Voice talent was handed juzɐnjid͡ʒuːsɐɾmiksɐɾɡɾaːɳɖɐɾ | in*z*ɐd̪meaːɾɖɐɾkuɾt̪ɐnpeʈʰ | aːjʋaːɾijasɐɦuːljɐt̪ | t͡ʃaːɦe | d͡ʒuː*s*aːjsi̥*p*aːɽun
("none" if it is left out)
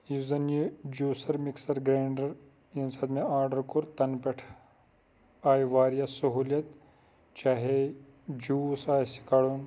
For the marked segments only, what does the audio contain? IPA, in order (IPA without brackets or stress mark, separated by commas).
s, s, k